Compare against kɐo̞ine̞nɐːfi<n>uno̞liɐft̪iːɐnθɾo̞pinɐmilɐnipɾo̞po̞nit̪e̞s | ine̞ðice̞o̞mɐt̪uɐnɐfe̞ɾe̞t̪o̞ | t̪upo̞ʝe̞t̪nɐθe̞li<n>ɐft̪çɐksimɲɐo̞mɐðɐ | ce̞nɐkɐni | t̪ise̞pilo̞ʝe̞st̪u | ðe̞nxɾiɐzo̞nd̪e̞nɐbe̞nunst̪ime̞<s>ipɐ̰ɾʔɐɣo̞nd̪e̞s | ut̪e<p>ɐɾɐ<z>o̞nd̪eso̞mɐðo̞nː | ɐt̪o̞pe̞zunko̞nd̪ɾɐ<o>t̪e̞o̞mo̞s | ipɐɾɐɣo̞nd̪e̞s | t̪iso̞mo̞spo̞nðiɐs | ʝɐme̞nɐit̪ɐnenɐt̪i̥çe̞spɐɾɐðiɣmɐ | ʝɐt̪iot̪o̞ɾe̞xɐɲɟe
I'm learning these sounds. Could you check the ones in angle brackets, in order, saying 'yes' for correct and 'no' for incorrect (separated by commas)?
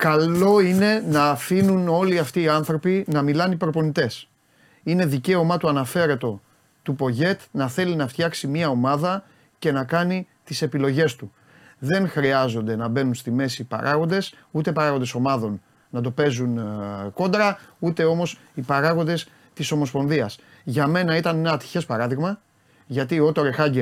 yes, yes, yes, yes, no, no